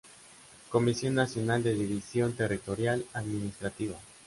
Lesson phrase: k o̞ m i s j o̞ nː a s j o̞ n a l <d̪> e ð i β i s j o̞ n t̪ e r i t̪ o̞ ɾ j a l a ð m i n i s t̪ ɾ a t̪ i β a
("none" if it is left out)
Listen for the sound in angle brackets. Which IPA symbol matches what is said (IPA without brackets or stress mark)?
d̪